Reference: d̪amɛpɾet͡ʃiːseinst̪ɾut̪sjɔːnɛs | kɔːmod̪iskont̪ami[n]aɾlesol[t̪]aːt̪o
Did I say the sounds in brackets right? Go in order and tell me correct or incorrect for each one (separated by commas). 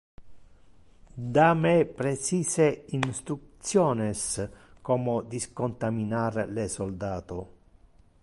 correct, incorrect